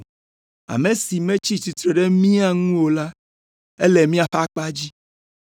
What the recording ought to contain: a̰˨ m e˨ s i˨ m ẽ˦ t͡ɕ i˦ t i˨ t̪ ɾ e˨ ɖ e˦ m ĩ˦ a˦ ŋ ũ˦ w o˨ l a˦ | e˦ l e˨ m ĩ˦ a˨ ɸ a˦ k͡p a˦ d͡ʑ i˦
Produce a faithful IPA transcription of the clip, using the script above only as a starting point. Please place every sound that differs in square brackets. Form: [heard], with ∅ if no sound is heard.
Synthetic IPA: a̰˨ m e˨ s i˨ m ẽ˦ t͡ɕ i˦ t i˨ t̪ ɾ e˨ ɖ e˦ m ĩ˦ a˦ ŋ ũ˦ w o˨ l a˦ | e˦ l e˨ m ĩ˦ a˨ ɸ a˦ k͡p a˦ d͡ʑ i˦